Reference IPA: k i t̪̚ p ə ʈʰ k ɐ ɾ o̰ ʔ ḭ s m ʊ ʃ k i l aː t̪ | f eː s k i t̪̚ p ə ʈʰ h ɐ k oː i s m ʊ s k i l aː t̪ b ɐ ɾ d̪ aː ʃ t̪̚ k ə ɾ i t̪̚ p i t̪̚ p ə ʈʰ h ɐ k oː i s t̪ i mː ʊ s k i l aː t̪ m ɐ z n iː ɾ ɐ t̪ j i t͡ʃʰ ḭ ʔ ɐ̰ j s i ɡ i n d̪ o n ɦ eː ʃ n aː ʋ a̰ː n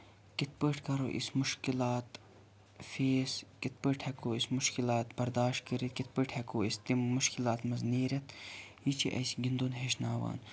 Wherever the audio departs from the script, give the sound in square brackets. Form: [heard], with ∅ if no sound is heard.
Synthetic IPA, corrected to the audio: k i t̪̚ p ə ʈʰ k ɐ ɾ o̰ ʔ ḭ s m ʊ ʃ k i l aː t̪ | f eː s k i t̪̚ p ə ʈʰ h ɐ k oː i s m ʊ [ʃ] k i l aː t̪ b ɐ ɾ d̪ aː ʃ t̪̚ k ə ɾ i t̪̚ [k] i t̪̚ p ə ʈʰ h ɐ k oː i s t̪ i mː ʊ [ʃ] k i l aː t̪ m ɐ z n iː ɾ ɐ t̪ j i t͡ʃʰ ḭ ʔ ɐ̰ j s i ɡ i n d̪ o n ɦ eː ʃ n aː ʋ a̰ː n